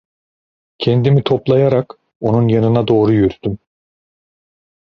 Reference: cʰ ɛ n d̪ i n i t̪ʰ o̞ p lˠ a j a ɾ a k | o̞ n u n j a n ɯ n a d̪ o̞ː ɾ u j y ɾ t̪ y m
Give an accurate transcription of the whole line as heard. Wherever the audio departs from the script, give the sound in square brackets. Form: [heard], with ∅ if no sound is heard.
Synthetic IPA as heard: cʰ ɛ n d̪ i [m] i t̪ʰ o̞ p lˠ a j a ɾ a k | o̞ n u n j a n ɯ n a d̪ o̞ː ɾ u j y ɾ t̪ y m